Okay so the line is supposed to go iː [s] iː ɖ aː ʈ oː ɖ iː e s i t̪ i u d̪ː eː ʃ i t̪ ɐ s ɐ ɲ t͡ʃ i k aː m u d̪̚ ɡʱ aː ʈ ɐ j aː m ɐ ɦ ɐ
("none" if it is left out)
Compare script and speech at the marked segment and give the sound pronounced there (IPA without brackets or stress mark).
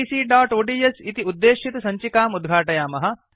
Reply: s